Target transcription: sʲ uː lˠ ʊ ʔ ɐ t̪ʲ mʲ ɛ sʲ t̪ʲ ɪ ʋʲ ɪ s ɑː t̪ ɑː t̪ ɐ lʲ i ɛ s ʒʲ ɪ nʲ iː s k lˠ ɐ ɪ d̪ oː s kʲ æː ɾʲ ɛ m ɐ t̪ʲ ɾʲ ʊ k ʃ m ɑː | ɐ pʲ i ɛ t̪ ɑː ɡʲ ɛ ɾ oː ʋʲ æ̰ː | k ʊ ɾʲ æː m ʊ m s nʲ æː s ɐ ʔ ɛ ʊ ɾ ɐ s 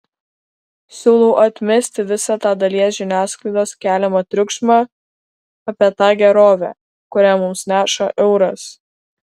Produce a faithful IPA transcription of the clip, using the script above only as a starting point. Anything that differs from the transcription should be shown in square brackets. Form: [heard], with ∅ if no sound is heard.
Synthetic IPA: sʲ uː lˠ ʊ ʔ ɐ t̪ʲ mʲ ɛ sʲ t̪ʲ ɪ ʋʲ ɪ s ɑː t̪ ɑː [d̪] ɐ lʲ i ɛ s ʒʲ ɪ nʲ [æː] s k lˠ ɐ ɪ d̪ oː s kʲ æː [lʲ] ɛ m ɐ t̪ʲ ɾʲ ʊ k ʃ m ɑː | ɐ pʲ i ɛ t̪ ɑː ɡʲ ɛ ɾ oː ʋʲ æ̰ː | k ʊ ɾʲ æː m ʊ m s nʲ æː [ʃ] ɐ ʔ ɛ ʊ ɾ ɐ s